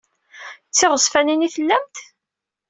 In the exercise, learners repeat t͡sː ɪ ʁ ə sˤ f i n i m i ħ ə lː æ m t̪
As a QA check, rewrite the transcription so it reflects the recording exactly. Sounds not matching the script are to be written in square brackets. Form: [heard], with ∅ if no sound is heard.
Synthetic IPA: t͡sː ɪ ʁ ə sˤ f [æ] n i [n] i [θ] ə lː æ m t̪